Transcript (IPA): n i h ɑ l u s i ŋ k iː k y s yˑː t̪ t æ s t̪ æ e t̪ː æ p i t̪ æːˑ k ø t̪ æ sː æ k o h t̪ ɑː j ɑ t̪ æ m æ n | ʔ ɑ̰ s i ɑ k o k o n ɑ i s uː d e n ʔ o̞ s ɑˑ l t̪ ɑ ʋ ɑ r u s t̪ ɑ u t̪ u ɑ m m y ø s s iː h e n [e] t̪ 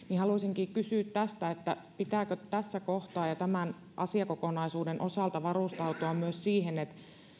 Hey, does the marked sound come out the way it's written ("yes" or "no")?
yes